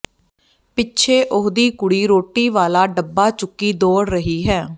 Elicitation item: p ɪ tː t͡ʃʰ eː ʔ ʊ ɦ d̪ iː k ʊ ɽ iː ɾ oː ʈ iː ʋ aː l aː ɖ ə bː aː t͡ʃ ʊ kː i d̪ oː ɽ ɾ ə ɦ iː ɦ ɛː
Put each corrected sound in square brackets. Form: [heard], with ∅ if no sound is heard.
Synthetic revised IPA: p ɪ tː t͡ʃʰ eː ʔ ʊ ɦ d̪ iː k ʊ ɽ iː ɾ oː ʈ iː ʋ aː l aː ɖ ə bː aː t͡ʃ ʊ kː [iː] d̪ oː ɽ ɾ ə ɦ iː ɦ ɛː